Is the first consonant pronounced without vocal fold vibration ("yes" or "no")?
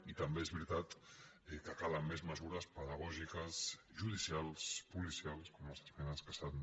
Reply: yes